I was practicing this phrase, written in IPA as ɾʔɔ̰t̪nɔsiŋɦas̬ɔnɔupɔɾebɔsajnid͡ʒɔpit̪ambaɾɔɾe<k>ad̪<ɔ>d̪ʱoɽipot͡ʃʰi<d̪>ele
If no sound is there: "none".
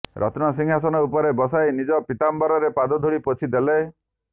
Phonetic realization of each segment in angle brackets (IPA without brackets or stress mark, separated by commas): p, ɔ, d̪